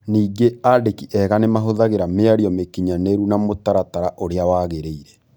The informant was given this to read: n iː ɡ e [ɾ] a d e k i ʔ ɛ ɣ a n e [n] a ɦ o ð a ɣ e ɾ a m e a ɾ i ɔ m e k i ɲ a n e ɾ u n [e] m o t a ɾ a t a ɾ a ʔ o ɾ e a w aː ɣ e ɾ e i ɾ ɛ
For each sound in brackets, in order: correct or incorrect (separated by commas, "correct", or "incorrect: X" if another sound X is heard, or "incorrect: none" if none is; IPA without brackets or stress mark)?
incorrect: none, incorrect: m, incorrect: a